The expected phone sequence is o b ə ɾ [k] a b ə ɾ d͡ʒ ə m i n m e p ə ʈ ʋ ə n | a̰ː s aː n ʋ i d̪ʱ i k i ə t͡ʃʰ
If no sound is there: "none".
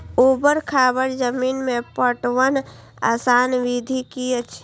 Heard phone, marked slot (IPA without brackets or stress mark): kʰ